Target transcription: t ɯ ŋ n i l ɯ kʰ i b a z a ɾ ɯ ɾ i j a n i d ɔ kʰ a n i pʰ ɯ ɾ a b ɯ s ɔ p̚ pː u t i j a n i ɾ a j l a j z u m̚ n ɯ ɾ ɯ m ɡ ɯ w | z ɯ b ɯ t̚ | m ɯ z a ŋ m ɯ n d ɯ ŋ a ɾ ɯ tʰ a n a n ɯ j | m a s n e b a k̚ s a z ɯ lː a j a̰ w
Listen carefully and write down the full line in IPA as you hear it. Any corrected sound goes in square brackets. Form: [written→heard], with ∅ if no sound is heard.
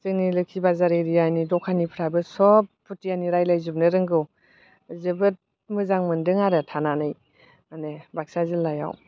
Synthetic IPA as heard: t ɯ ŋ n i l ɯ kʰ i b a z a ɾ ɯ ɾ i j a n i d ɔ kʰ a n i pʰ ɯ ɾ a b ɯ s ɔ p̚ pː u t i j a n i ɾ a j l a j z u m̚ n ɯ ɾ ɯ [m→ŋ] ɡ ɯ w | z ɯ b ɯ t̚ | m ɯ z a ŋ m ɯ n d ɯ ŋ a ɾ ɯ tʰ a n a n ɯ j | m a [s→∅] n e b a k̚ s a z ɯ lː a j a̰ w